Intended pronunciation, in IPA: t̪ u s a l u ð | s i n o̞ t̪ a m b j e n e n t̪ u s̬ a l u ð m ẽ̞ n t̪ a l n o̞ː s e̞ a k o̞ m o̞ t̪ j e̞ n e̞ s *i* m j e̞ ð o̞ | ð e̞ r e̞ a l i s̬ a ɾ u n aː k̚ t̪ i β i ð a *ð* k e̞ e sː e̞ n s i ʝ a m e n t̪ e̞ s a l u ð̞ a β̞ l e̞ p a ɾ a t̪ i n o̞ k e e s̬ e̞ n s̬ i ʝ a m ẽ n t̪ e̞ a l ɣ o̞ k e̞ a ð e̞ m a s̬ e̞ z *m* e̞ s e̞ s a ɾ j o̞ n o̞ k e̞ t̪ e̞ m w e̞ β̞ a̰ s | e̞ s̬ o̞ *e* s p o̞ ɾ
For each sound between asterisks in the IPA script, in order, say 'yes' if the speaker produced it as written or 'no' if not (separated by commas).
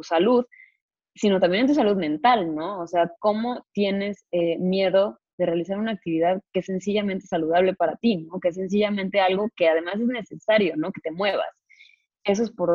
no, yes, no, yes